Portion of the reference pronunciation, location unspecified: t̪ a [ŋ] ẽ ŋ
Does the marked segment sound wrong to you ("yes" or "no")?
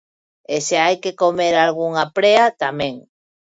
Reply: yes